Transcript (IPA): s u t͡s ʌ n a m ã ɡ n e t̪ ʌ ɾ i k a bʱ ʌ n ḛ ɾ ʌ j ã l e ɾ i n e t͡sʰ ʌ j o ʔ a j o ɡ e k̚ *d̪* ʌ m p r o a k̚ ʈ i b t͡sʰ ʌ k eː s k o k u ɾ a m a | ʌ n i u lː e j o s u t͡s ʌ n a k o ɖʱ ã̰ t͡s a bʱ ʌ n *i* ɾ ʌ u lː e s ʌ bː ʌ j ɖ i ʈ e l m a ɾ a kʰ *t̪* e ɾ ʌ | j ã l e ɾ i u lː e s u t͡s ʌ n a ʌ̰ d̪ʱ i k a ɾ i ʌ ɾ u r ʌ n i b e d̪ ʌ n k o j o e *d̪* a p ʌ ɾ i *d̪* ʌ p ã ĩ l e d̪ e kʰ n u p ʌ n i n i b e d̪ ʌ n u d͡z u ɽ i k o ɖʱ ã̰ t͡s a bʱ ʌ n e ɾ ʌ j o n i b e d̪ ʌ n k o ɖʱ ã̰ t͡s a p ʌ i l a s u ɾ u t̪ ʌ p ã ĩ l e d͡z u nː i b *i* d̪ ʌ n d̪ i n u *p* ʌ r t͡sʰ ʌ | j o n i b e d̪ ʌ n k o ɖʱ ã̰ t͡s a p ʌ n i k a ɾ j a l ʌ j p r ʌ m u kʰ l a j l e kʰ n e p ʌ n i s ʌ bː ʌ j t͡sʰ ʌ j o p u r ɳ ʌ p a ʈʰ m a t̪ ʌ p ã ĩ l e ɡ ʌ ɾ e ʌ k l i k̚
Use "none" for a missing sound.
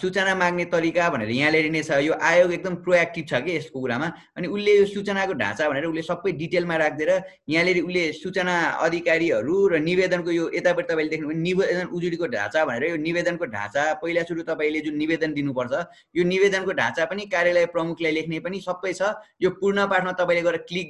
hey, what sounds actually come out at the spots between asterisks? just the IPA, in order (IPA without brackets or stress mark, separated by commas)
d̪, e, d̪, t̪, t̪, e, p